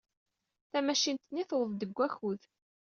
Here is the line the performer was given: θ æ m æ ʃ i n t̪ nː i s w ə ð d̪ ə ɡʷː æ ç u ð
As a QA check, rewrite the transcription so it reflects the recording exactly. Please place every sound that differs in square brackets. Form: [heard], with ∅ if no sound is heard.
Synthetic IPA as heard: θ æ m æ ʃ i n t̪ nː i [θ] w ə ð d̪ ə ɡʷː æ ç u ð